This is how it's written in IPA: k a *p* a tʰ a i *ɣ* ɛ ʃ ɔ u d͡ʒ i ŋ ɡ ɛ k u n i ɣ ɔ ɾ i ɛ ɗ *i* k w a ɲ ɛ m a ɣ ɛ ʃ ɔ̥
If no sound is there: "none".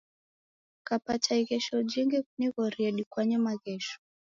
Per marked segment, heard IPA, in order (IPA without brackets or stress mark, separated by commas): p, ɣ, i